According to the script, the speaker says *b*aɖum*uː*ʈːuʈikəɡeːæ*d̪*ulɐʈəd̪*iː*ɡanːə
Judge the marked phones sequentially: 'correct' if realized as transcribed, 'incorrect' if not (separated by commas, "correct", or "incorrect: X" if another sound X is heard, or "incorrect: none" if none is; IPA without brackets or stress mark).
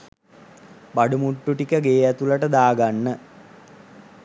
correct, incorrect: u, incorrect: t̪, incorrect: aː